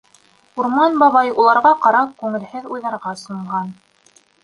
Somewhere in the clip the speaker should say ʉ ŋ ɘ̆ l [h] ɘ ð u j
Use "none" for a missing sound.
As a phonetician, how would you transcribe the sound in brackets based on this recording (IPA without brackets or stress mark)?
h